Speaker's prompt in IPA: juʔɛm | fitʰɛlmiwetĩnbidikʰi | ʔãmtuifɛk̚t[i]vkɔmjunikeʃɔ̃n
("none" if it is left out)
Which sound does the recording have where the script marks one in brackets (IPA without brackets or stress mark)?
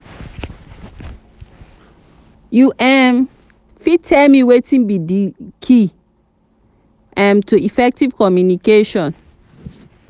i